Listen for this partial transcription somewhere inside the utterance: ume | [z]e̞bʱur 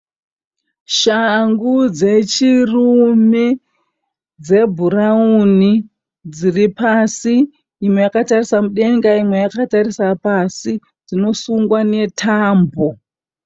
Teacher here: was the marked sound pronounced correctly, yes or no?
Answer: no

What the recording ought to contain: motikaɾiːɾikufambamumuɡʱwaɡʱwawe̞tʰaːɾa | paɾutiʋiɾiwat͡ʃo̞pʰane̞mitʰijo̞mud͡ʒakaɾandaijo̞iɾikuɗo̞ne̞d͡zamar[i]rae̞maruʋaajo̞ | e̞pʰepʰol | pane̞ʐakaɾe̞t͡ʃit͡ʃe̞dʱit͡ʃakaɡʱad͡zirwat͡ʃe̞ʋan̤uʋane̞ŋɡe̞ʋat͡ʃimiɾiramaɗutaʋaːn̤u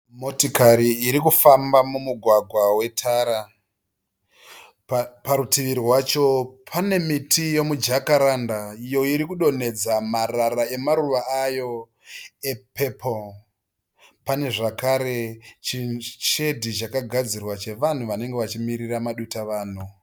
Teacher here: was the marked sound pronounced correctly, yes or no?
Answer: no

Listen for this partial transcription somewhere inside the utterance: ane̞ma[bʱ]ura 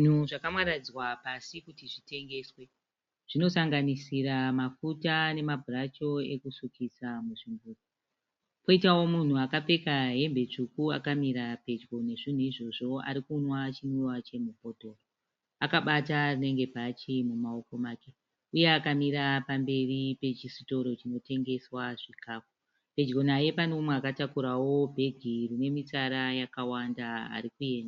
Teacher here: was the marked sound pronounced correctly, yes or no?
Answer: yes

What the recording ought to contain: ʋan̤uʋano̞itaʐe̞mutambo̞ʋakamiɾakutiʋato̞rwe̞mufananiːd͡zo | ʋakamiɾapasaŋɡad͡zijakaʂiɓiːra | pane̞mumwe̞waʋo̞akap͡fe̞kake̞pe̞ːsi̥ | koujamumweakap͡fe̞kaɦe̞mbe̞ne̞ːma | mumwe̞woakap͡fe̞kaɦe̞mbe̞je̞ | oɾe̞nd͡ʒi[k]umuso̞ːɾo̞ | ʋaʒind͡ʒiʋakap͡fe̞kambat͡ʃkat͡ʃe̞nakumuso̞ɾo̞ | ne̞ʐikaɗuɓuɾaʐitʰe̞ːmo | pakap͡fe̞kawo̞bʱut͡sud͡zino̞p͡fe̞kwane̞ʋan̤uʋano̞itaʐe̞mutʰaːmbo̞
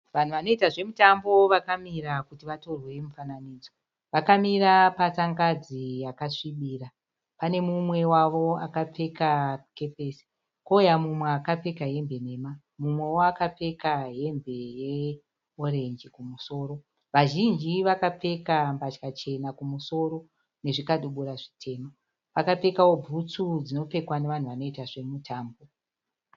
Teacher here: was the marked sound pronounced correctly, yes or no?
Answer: yes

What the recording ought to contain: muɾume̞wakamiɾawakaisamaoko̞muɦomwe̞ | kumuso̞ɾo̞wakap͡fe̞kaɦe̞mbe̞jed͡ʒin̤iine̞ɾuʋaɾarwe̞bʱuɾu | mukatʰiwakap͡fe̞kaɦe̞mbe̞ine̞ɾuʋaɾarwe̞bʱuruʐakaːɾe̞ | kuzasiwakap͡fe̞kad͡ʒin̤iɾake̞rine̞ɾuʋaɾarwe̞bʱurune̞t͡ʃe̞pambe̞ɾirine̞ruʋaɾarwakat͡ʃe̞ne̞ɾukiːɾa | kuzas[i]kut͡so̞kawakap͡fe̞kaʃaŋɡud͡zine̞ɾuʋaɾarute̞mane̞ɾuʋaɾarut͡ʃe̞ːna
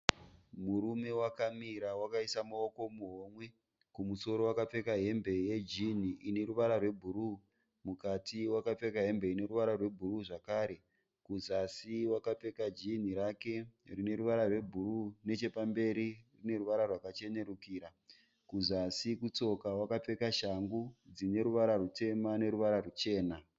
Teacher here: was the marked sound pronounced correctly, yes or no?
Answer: yes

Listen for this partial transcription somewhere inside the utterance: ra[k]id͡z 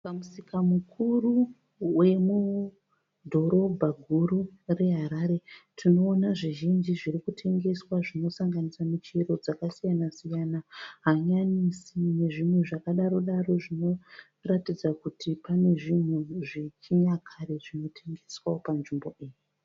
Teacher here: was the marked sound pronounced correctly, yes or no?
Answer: no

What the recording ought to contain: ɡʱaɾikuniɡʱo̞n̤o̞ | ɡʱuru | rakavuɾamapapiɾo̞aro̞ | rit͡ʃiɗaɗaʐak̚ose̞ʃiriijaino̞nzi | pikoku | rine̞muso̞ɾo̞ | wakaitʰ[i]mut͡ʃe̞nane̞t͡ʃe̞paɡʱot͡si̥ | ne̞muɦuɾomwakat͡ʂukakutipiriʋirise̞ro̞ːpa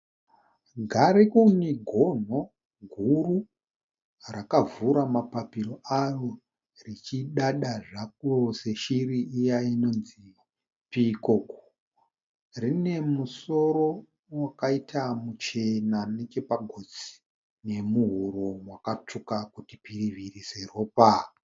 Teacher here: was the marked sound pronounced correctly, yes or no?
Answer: no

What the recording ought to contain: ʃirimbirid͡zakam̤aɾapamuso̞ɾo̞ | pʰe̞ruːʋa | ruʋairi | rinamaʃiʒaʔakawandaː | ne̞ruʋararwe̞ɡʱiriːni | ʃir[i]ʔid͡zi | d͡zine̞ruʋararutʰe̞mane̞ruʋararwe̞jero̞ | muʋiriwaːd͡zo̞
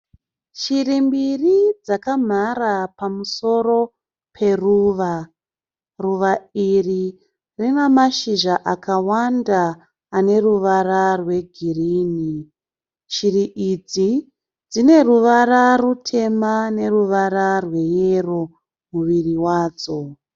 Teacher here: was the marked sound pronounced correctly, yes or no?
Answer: yes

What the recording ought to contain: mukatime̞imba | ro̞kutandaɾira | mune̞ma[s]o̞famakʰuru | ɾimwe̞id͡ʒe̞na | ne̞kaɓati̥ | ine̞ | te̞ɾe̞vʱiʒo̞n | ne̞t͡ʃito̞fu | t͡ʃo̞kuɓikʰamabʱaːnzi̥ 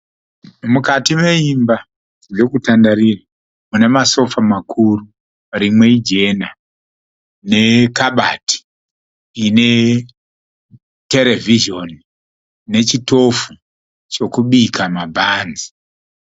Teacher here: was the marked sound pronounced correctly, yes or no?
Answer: yes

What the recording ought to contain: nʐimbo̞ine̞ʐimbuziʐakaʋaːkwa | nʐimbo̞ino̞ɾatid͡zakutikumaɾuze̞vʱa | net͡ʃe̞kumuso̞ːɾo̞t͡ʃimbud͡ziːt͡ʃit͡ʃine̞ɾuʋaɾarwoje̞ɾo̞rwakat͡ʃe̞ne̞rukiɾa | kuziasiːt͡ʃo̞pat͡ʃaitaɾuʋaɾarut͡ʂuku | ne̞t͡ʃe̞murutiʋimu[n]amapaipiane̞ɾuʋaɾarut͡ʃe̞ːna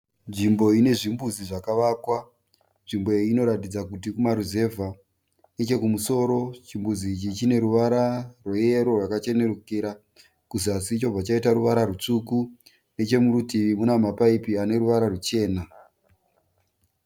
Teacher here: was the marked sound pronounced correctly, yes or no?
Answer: yes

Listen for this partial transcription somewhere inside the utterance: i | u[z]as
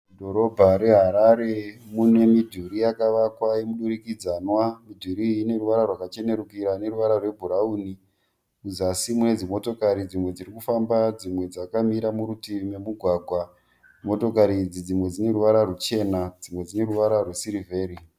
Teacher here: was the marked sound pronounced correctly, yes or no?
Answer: yes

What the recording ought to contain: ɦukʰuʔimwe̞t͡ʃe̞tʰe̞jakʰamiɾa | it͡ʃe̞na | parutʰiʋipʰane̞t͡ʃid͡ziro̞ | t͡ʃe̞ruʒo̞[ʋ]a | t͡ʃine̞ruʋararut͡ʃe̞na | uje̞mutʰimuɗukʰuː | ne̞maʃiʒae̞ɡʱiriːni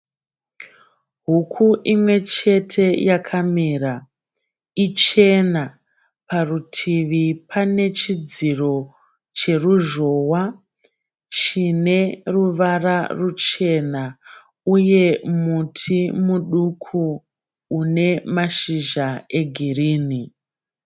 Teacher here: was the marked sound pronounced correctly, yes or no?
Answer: no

